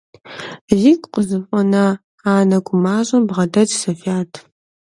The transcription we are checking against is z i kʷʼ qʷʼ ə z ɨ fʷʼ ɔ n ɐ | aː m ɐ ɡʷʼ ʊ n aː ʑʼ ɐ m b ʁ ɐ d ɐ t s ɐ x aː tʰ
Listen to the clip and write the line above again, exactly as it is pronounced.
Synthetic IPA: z i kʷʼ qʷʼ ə z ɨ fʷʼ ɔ n ɐ | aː n ɐ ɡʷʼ ʊ m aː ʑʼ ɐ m b ʁ ɐ d ɐ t s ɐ f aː tʰ